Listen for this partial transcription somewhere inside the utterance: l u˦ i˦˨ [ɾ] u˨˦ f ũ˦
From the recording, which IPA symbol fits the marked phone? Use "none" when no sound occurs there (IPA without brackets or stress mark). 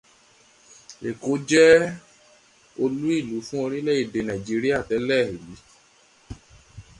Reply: l